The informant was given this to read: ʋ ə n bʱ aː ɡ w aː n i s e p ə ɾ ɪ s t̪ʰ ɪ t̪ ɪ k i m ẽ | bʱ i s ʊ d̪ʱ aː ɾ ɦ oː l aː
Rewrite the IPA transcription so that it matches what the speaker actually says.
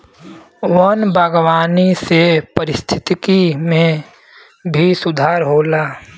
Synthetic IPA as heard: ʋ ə n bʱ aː ɡ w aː n i s e p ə ɾ ɪ s t̪ʰ ɪ t̪ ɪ k i m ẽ | bʱ i s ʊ d̪ʱ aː ɾ ɦ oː l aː